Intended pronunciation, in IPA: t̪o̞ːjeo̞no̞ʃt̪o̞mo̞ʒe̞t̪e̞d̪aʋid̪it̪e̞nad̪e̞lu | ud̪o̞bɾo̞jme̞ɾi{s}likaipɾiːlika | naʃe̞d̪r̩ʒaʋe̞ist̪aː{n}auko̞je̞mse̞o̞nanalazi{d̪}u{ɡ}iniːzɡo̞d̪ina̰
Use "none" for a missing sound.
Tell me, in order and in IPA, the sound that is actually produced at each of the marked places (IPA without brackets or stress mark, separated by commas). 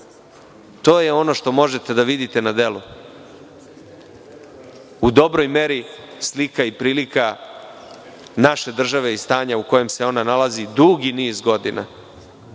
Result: s, ɲ, d̪, ɡ